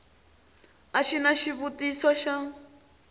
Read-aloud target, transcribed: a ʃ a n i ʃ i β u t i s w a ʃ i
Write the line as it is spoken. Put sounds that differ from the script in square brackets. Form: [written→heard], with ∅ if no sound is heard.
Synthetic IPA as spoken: a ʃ [a→i] n [i→a] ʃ i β u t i s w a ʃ [i→a]